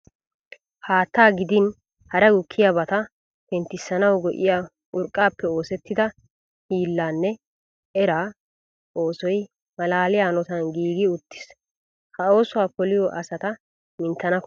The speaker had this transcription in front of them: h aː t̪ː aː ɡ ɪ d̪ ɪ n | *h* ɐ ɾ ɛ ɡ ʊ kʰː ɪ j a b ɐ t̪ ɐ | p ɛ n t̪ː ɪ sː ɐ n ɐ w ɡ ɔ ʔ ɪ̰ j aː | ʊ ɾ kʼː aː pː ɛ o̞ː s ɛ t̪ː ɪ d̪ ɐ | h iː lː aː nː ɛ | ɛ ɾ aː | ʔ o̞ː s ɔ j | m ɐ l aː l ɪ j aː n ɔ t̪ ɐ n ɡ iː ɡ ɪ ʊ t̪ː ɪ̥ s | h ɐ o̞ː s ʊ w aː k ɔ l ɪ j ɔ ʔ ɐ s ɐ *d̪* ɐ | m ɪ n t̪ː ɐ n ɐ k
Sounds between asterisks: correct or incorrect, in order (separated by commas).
correct, incorrect